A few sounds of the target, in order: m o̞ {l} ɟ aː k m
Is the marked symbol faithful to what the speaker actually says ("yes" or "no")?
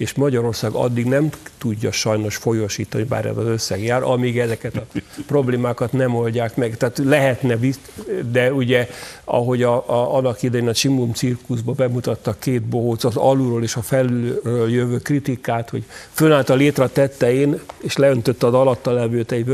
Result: yes